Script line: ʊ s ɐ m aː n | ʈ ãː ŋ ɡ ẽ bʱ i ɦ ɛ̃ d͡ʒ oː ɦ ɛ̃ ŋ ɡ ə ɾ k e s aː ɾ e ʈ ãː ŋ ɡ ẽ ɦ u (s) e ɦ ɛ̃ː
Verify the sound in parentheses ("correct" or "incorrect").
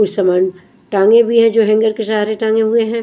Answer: incorrect